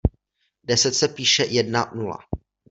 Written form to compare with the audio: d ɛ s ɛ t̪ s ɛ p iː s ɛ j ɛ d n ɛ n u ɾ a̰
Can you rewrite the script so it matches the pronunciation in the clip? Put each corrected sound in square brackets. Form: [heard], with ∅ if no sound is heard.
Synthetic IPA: d ɛ s ɛ t̪ s ɛ p iː [ʃ] ɛ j ɛ d n [a] n u [l] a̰